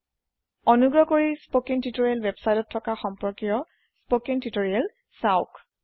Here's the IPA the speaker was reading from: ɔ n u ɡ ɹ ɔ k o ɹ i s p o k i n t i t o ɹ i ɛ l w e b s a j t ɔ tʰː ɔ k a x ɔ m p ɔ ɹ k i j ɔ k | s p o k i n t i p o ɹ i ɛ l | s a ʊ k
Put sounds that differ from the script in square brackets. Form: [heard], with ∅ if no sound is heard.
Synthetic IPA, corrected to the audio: ɔ n u ɡ ɹ ɔ k o ɹ i s p o k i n t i t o ɹ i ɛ l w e b s a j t ɔ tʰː ɔ k a x ɔ m p ɔ ɹ k i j ɔ [∅] | s p o k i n t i [t] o ɹ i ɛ l | s a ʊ k